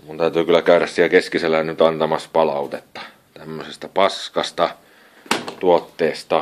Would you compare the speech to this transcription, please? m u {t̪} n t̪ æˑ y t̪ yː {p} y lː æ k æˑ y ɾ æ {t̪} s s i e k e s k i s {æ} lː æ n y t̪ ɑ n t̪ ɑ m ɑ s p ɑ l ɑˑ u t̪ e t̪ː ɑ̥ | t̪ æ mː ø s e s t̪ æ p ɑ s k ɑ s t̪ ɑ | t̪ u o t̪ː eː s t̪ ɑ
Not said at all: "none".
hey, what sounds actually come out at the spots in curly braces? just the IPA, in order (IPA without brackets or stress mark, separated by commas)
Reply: none, k, none, e